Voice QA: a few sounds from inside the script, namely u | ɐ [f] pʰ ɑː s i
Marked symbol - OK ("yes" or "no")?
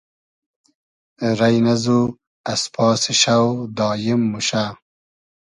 no